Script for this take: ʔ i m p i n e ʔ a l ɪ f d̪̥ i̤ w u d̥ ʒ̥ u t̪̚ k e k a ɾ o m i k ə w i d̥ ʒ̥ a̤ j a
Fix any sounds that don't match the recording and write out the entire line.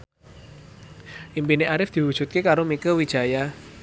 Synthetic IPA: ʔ i m p i n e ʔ a ɾ ɪ f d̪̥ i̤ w u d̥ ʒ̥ u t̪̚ k e k a ɾ o m i k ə w i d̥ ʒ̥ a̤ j a